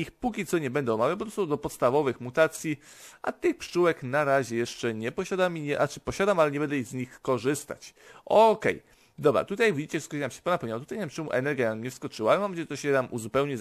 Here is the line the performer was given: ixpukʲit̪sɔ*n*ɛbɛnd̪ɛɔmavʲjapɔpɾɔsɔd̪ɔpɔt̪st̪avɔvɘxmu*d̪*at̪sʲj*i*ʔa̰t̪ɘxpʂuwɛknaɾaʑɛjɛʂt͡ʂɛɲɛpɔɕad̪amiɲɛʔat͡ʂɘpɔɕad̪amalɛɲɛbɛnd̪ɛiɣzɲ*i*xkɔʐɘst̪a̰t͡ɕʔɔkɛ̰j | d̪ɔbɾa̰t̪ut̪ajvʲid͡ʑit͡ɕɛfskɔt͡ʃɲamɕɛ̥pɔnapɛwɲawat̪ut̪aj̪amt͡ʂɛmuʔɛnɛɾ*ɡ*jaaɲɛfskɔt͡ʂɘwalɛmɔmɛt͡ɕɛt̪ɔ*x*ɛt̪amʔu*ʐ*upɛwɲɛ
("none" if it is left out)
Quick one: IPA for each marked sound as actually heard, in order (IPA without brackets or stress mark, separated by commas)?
ɲ, t̪, i, i, ɡ, ɕ, z